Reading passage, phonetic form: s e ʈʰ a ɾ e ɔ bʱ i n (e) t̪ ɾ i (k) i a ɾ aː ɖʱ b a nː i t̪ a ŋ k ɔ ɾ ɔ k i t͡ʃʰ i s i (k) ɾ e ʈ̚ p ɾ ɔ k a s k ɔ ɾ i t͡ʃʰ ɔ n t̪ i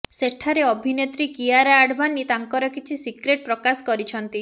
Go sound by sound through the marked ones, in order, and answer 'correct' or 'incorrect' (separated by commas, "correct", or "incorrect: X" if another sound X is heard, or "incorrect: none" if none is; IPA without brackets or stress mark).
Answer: correct, correct, correct